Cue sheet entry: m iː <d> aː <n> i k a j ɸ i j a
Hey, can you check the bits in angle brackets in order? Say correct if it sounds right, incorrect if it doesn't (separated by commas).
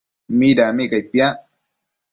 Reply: correct, incorrect